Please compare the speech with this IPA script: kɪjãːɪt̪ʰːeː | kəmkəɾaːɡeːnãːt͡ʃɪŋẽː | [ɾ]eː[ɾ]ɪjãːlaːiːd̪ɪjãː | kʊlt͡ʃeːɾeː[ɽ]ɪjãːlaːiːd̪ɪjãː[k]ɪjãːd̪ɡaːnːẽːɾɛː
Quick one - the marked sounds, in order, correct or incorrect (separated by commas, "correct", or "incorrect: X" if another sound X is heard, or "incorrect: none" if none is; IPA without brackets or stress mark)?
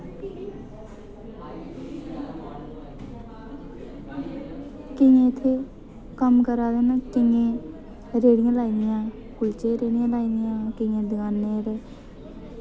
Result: correct, incorrect: ɽ, correct, correct